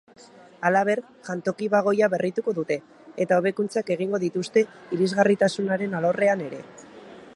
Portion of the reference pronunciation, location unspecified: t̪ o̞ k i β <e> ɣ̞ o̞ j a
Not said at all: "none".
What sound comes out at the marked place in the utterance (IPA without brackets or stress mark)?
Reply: a